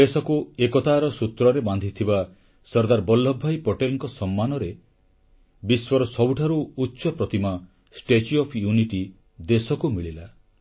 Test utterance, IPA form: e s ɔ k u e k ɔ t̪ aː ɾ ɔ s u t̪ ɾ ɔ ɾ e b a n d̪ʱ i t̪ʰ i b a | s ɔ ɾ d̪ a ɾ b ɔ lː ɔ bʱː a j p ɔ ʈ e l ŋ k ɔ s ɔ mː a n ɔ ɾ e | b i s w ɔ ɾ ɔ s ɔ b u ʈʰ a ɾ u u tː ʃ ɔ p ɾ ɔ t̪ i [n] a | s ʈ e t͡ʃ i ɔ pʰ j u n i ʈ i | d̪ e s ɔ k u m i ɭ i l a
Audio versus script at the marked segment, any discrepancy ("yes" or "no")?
yes